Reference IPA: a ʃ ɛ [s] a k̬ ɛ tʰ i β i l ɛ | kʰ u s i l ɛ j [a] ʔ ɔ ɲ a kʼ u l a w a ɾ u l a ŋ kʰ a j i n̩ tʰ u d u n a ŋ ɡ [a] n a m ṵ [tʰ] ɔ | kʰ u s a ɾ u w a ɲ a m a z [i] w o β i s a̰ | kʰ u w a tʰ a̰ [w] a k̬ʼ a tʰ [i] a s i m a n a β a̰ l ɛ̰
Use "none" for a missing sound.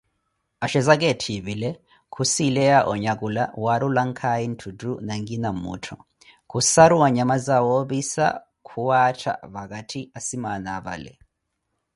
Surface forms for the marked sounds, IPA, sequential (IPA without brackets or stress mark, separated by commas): z, a, i, tʰ, a, β, i